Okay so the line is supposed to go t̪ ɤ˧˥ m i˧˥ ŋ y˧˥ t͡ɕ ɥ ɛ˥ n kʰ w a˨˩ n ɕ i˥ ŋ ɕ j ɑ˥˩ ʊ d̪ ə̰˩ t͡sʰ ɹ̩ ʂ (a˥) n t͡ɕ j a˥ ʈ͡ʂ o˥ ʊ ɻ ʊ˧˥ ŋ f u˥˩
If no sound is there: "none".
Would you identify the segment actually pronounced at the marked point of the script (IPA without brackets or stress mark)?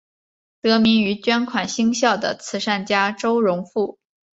a˥˩